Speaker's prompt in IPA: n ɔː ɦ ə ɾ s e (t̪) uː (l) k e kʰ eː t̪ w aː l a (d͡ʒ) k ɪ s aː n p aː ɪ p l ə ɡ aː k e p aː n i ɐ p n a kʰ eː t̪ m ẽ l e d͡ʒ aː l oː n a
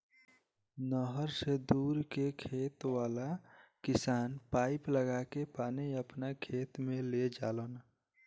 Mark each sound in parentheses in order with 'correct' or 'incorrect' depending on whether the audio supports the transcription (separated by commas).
incorrect, incorrect, incorrect